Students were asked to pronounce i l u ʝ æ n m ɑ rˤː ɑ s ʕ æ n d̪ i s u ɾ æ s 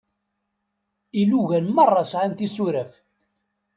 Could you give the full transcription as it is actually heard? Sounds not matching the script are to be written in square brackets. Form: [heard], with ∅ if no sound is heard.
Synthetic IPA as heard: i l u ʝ æ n m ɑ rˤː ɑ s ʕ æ n [t̪] i s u ɾ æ [f]